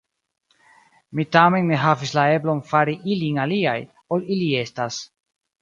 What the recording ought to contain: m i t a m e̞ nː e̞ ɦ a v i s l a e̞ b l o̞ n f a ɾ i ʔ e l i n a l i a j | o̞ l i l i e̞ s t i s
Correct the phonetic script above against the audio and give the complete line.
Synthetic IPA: m i t a m e̞ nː e̞ ɦ a v i s l a e̞ b l o̞ n f a ɾ i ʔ i l i n a l i a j | o̞ l i l i e̞ s t a s